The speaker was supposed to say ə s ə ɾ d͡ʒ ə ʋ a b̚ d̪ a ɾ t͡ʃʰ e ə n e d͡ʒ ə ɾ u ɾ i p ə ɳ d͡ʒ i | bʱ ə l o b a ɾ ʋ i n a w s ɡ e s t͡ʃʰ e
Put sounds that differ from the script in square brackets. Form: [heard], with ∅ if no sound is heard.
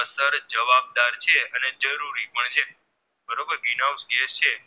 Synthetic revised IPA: ə s ə ɾ d͡ʒ ə ʋ a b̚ d̪ a ɾ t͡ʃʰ e ə n e d͡ʒ ə ɾ u ɾ i p ə ɳ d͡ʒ [e] | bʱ ə [ɾ] o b [ə] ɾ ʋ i n a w s ɡ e s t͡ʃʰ e